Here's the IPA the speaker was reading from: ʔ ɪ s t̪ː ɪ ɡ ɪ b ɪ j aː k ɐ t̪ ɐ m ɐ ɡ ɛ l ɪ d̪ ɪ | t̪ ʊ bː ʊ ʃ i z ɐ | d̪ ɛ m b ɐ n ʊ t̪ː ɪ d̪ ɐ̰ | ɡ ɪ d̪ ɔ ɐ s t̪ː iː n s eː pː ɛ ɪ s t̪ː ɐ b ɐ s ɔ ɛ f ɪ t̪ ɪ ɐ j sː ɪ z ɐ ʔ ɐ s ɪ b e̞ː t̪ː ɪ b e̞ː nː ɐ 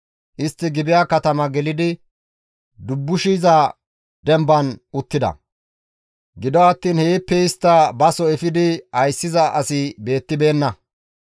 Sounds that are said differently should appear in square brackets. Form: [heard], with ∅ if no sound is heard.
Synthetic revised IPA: ʔ ɪ s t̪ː ɪ ɡ ɪ b ɪ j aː k ɐ t̪ ɐ m ɐ ɡ ɛ l ɪ d̪ ɪ | [d̪] ʊ bː ʊ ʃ i z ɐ | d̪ ɛ m b ɐ n ʊ t̪ː ɪ d̪ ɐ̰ | ɡ ɪ d̪ ɔ ɐ [∅] t̪ː iː n [h] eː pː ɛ ɪ s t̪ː ɐ b ɐ s ɔ ɛ f ɪ [d̪] ɪ ɐ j sː ɪ z ɐ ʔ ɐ s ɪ b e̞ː t̪ː ɪ b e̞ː nː ɐ